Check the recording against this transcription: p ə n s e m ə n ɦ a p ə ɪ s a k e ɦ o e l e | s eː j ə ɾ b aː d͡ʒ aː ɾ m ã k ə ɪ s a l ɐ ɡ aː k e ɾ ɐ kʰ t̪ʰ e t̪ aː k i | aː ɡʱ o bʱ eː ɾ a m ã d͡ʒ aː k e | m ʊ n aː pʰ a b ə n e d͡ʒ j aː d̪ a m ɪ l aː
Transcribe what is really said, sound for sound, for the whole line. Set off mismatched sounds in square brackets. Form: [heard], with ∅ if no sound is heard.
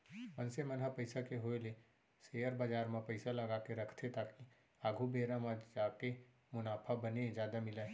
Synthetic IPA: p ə n s e m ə n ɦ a p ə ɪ s a k e ɦ o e l e | s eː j ə ɾ b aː d͡ʒ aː ɾ m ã [p] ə ɪ s a l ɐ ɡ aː k e ɾ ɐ kʰ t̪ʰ e t̪ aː k i | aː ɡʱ [u] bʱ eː ɾ a m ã d͡ʒ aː k e | m ʊ n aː pʰ a b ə n e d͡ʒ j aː d̪ a m ɪ l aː